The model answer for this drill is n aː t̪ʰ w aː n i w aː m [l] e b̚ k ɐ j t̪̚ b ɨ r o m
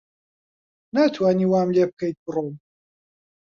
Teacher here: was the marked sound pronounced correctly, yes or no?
yes